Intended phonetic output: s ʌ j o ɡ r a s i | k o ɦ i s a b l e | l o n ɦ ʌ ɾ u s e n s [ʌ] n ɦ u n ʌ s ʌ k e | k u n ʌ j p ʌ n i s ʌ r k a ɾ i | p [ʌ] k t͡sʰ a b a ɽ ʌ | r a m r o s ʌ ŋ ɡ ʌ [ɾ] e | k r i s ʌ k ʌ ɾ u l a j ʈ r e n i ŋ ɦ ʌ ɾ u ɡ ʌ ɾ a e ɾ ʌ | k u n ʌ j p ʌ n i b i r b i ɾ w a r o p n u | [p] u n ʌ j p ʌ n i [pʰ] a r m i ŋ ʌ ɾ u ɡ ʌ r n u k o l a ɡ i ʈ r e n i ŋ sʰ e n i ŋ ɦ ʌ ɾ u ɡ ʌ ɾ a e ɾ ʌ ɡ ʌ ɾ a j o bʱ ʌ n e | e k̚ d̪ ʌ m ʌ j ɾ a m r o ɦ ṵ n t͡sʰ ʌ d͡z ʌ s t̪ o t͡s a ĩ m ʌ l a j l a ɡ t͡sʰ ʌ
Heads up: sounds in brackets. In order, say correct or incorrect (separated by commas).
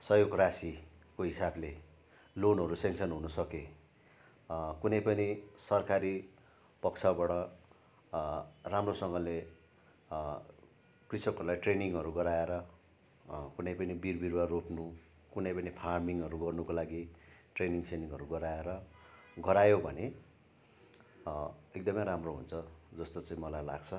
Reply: correct, correct, incorrect, incorrect, correct